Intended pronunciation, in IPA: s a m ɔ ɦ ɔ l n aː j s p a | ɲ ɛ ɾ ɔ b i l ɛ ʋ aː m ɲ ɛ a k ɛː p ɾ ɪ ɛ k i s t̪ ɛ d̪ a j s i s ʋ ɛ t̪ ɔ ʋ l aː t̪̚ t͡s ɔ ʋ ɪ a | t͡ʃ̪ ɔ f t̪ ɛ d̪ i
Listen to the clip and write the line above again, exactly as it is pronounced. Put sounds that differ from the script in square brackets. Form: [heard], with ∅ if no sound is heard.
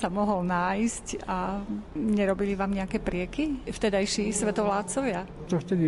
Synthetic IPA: s a m ɔ ɦ ɔ l n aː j s [c] a | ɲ ɛ ɾ ɔ b i l [i] ʋ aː m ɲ ɛ a k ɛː p ɾ ɪ ɛ k i [f] t̪ ɛ d̪ a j [ʃ] i s ʋ ɛ t̪ ɔ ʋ l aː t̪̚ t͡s ɔ ʋ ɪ a | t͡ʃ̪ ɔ f t̪ ɛ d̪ i